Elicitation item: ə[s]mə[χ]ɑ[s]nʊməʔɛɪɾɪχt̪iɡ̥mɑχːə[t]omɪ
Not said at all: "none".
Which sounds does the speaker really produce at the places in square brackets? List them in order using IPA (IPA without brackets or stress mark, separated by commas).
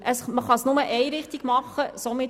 s, χ, s, s